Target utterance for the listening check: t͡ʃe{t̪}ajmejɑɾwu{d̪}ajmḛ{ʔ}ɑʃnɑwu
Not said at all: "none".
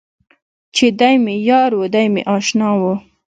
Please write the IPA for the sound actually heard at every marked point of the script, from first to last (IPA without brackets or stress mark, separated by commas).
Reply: d̪, d̪, ʔ